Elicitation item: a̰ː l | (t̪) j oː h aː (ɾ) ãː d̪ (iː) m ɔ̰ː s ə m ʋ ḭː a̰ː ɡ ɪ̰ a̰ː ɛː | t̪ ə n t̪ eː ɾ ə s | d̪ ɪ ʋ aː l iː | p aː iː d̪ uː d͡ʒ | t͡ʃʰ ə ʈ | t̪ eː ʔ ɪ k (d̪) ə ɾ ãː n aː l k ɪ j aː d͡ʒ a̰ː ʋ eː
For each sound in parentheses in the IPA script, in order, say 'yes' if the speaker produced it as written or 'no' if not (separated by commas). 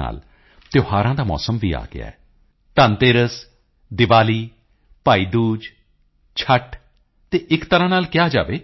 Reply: yes, yes, no, no